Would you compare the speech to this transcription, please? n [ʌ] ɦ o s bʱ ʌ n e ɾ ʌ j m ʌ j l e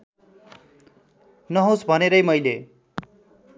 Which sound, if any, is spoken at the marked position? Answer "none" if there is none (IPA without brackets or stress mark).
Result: ʌ